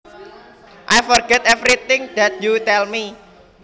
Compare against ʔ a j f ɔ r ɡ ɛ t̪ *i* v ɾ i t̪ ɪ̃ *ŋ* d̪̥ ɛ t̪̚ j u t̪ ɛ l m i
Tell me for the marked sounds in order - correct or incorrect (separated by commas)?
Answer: incorrect, correct